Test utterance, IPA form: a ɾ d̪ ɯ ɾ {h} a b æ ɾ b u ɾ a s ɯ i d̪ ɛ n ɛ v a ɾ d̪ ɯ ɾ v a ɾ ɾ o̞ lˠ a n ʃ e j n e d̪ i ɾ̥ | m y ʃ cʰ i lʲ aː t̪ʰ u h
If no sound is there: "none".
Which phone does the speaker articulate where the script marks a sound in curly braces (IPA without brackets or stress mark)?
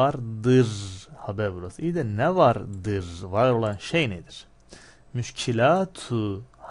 h